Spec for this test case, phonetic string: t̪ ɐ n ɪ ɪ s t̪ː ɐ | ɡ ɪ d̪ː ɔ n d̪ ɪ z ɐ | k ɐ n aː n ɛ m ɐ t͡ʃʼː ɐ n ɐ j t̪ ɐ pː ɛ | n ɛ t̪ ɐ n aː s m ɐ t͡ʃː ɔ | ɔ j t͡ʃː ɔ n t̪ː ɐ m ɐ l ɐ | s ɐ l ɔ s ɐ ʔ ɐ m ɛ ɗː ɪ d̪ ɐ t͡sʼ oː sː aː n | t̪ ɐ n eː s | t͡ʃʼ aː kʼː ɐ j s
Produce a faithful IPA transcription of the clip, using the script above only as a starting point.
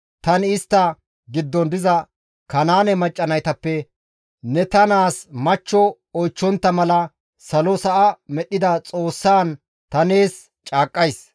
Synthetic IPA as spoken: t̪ ɐ n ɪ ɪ s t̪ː ɐ | ɡ ɪ d̪ː ɔ n d̪ ɪ z ɐ | k ɐ n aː n ɛ m ɐ t͡ʃʼː ɐ n ɐ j t̪ ɐ pː ɛ | n ɛ t̪ ɐ n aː s m ɐ t͡ʃː ɔ | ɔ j t͡ʃː ɔ n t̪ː ɐ m ɐ l ɐ | s ɐ l ɔ s ɐ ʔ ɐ m ɛ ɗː ɪ d̪ ɐ t͡sʼ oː sː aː n | t̪ ɐ n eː s | t͡ʃʼ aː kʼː ɐ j s